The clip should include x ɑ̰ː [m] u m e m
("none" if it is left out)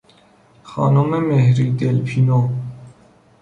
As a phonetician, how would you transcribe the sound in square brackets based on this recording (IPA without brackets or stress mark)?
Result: n